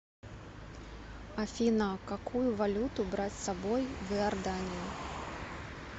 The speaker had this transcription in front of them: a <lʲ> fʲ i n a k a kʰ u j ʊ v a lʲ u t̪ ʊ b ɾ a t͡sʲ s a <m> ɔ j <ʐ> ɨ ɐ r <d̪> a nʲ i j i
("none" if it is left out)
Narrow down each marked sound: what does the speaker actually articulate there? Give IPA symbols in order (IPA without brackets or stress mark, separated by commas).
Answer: none, b, v, d̪